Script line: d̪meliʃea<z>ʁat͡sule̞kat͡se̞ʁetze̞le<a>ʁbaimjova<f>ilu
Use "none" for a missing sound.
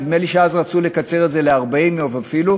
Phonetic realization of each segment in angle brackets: z, a, f

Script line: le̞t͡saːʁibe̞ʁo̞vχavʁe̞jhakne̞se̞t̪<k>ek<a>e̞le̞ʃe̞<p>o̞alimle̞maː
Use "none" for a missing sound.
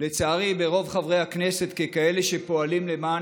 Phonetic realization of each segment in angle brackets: k, a, p

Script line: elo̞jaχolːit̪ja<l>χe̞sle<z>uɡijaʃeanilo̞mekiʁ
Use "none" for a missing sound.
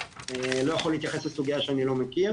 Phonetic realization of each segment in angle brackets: none, s

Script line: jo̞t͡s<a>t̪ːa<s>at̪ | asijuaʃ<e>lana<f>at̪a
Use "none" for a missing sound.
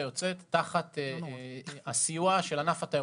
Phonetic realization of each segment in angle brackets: e, χ, e, f

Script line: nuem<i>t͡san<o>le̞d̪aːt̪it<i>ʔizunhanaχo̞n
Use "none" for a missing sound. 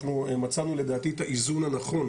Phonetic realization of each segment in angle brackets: a, u, a

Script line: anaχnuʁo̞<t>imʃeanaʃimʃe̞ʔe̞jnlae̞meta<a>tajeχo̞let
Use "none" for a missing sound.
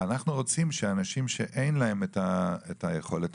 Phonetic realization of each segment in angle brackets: t͡s, e

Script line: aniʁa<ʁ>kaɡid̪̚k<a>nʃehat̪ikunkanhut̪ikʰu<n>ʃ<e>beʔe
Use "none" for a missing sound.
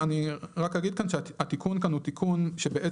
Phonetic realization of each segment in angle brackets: none, a, n, e

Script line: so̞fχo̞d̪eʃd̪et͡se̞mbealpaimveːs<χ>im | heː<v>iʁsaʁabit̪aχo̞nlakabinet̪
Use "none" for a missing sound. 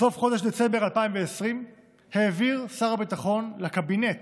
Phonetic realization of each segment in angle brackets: ʁ, v

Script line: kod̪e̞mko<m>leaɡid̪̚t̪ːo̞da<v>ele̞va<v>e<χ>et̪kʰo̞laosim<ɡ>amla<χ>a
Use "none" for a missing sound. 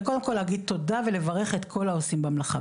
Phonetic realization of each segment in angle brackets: none, v, ʁ, χ, b, χ

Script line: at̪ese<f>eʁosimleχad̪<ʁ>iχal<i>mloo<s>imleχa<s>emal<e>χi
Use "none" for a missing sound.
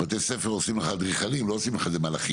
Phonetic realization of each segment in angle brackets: f, ʁ, i, s, z, a

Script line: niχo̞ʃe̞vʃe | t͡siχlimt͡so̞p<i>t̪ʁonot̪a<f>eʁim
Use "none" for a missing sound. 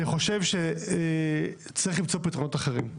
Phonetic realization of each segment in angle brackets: i, χ

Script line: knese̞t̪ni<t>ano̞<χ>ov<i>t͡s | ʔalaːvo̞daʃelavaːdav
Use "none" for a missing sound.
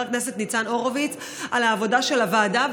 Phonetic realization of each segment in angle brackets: t͡s, ʁ, i

